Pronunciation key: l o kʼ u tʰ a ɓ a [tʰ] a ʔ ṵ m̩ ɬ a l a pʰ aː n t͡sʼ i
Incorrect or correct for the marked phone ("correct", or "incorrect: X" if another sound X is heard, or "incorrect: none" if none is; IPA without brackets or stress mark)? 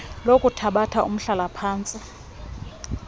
correct